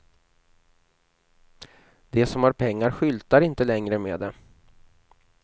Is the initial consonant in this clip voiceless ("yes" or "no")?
no